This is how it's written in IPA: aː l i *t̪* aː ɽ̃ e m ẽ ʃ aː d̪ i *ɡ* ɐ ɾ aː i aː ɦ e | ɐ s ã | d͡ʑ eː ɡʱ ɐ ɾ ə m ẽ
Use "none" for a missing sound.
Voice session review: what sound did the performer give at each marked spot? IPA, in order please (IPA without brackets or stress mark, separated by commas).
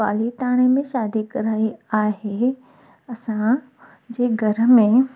t̪, k